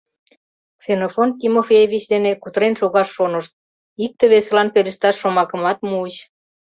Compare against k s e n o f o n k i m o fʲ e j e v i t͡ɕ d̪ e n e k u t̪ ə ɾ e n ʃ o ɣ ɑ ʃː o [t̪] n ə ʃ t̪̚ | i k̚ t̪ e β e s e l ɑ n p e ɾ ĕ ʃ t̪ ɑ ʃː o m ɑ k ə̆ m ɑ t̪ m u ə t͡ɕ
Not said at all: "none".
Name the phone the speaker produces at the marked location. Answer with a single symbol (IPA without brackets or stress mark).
none